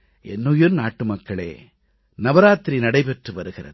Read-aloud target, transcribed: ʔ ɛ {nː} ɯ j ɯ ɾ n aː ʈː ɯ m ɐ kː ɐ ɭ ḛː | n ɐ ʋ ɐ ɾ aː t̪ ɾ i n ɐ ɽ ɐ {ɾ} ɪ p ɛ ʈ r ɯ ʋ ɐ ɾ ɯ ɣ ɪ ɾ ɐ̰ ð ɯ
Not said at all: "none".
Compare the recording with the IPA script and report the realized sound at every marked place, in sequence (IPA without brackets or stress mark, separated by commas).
nː, none